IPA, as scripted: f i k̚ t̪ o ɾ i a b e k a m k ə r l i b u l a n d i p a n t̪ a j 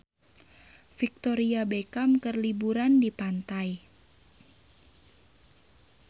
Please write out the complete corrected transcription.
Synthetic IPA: f i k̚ t̪ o ɾ i a b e k a m k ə r l i b u ɾ a n d i p a n t̪ a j